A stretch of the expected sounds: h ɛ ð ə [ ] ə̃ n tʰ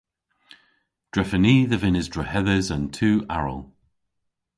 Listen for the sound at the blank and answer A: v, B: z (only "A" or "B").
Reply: B